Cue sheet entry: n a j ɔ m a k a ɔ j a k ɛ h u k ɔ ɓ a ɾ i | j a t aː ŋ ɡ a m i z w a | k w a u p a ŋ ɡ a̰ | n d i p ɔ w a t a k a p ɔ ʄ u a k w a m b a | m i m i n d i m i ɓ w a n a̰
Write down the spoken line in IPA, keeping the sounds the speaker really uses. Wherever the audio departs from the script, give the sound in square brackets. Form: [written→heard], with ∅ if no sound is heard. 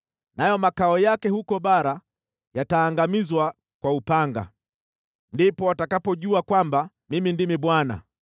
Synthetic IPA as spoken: n a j ɔ m a k a ɔ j a k ɛ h u k ɔ ɓ a ɾ [i→a] | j a t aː ŋ ɡ a m i z w a | k w a u p a ŋ ɡ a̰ | n d i p ɔ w a t a k a p ɔ ʄ u a k w a m b a | m i m i n d i m i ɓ w a n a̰